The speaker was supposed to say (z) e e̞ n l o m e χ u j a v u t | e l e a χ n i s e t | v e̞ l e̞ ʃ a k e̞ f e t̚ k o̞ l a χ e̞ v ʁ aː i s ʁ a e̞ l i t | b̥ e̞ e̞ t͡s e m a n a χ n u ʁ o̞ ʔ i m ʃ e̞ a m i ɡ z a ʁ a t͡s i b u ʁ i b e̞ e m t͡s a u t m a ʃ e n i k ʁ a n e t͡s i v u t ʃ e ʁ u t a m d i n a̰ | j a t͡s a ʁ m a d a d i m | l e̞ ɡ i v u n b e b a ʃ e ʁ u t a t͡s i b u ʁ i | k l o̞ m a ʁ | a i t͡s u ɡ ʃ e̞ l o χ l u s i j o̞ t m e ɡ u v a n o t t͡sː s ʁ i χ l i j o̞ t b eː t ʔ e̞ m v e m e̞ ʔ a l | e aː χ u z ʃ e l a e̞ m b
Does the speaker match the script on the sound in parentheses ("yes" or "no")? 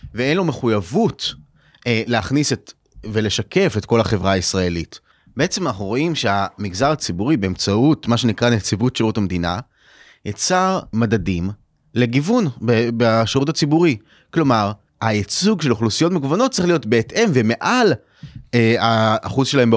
no